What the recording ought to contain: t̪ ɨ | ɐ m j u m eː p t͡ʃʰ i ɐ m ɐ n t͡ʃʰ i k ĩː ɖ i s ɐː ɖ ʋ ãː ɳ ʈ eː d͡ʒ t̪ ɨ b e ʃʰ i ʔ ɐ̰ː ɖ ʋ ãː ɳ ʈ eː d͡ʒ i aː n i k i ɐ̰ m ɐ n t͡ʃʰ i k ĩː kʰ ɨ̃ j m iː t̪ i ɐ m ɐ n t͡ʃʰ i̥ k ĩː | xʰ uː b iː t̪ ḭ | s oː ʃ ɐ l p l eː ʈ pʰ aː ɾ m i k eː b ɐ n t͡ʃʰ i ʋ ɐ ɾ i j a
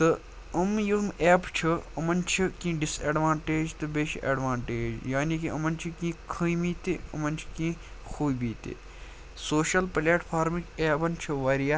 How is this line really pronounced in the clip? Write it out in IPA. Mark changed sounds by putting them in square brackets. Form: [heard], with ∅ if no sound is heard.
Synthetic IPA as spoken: t̪ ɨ | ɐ m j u m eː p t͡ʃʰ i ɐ m ɐ n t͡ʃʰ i k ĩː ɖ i s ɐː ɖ ʋ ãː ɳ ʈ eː d͡ʒ t̪ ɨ b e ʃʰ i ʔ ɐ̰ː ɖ ʋ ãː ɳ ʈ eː d͡ʒ [j] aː n i k i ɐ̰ m ɐ n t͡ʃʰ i k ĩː kʰ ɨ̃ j m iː t̪ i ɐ m ɐ n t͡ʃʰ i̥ k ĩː | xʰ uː b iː t̪ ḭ | s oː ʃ ɐ l p l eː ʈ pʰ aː ɾ m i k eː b ɐ n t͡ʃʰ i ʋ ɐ ɾ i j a